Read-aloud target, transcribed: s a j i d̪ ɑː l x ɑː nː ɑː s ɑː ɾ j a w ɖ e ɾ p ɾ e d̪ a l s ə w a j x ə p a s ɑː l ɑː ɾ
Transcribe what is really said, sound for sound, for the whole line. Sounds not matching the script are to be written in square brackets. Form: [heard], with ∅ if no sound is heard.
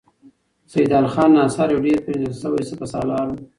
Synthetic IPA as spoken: s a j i d̪ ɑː l x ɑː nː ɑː s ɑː ɾ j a w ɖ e ɾ p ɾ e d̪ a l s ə w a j [s] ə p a s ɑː l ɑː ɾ